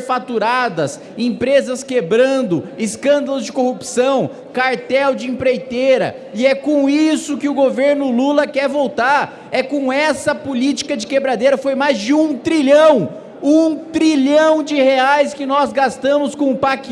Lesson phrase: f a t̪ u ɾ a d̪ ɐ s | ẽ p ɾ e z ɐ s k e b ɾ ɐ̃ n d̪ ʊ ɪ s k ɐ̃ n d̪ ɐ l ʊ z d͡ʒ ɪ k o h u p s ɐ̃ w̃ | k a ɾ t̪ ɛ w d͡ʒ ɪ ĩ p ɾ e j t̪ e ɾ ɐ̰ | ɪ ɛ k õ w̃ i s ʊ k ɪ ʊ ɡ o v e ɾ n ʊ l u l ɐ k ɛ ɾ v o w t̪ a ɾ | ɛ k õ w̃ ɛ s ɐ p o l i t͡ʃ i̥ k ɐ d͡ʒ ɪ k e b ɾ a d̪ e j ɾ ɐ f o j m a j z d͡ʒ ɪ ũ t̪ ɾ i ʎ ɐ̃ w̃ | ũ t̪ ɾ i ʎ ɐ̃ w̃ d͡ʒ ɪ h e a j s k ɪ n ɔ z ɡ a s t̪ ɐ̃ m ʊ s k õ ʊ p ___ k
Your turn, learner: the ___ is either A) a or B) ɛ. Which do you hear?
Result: A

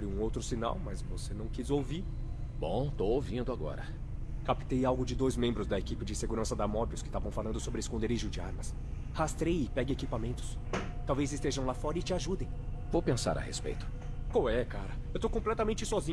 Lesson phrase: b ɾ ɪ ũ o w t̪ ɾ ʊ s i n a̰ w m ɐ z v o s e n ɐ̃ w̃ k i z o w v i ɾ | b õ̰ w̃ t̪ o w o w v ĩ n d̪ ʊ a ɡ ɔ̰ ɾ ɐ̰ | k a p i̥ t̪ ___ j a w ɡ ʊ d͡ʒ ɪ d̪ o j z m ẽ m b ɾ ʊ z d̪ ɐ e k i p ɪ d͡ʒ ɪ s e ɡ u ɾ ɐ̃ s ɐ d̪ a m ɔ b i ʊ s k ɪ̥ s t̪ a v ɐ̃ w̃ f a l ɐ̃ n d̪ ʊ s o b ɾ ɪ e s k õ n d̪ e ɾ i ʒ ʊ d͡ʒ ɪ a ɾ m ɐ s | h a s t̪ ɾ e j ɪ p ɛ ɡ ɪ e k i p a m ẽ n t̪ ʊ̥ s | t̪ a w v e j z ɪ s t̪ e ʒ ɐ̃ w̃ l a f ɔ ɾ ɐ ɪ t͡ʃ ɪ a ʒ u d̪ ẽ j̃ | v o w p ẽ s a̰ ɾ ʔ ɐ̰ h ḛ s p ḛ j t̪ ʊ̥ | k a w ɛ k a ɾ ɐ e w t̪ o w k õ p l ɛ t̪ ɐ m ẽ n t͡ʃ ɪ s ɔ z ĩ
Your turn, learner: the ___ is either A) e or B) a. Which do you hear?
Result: A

